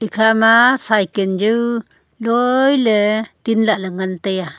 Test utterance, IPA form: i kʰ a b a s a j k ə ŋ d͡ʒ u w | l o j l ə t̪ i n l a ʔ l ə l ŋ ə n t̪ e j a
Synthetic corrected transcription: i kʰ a m a s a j k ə n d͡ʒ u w | l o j l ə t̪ i n l a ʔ l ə ŋ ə n t̪ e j a